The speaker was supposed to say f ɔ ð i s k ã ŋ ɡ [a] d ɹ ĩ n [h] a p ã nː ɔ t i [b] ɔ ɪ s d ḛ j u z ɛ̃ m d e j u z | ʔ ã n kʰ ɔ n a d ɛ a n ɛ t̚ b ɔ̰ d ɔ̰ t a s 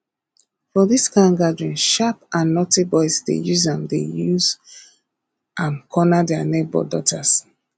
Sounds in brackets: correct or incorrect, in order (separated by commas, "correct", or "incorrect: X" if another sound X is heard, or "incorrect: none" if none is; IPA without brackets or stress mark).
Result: correct, incorrect: ʃ, correct